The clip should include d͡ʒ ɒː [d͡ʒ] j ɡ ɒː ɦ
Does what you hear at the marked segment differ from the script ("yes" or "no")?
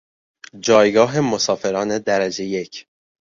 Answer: yes